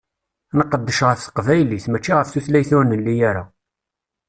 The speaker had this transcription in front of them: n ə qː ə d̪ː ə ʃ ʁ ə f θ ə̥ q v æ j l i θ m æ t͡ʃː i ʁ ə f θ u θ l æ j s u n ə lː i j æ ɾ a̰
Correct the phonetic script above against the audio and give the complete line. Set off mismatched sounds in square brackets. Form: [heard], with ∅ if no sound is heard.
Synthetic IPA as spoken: n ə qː ə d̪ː ə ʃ ʁ ə f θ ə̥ q v æ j l i θ m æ t͡ʃː i ʁ ə f θ u θ l æ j [θ] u n ə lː i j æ ɾ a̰